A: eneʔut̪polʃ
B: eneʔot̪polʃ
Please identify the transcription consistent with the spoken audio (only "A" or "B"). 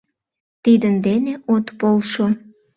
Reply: B